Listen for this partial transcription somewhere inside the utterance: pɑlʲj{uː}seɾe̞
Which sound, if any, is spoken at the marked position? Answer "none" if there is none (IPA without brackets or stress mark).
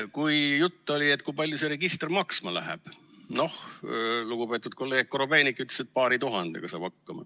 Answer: u